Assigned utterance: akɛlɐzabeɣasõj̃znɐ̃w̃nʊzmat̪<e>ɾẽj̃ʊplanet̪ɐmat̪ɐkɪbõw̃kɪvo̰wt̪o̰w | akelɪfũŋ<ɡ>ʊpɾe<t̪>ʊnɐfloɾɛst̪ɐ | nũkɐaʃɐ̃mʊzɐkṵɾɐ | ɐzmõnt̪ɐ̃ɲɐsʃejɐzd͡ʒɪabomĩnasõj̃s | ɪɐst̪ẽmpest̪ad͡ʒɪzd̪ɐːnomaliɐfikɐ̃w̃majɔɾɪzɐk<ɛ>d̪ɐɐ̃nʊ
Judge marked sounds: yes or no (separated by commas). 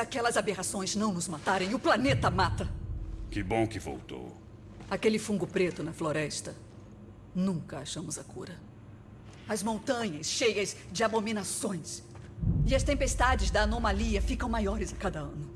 no, yes, yes, no